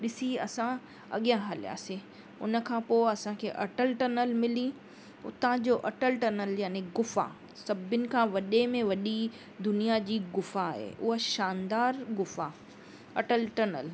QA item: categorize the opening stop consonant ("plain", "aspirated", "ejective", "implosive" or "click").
implosive